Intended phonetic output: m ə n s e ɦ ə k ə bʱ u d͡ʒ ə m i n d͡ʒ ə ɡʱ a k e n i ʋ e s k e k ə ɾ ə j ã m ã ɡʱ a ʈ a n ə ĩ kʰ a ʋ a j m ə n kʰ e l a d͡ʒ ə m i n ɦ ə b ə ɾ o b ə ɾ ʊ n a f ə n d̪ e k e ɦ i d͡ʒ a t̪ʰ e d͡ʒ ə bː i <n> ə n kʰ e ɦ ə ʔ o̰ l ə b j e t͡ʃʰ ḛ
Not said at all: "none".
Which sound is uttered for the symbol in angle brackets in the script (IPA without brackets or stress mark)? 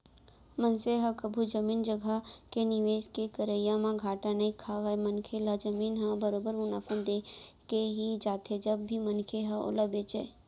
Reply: m